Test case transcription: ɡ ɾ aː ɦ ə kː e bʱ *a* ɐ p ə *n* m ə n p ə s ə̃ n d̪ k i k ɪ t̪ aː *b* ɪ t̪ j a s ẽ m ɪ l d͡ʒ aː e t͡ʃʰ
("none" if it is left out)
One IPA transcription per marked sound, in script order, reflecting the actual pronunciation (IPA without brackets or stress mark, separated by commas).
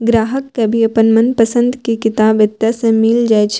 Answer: i, n, b